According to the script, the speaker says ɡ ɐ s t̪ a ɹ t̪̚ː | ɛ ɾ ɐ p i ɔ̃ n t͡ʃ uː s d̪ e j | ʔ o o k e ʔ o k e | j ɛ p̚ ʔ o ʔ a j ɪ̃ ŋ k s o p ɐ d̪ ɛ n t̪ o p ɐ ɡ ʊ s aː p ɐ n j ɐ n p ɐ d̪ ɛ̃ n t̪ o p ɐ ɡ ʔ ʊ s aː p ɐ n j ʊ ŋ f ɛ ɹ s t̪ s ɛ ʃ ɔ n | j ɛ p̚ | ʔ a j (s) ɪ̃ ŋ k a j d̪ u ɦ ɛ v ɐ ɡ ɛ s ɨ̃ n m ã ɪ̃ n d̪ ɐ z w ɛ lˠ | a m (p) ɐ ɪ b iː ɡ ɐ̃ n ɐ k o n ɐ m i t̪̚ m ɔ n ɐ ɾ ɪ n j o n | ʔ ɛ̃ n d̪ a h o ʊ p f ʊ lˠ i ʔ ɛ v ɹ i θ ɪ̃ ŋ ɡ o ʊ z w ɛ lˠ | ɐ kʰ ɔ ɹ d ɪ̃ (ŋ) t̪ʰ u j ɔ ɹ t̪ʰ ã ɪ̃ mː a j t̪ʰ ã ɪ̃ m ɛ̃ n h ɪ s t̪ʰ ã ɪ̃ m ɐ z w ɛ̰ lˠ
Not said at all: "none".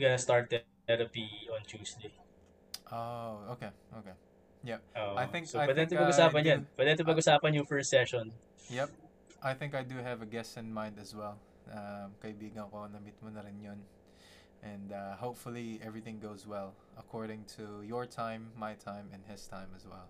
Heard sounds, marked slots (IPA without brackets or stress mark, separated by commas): θ, k, ŋ